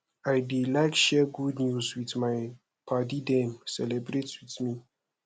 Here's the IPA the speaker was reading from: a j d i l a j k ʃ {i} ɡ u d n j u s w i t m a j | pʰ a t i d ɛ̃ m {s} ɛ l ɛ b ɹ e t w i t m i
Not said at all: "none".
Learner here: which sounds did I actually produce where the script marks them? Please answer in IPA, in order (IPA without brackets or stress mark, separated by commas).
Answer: ɛ, s